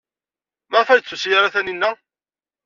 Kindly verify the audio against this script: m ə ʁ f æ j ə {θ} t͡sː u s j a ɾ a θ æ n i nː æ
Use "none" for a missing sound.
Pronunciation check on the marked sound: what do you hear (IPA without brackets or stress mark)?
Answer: none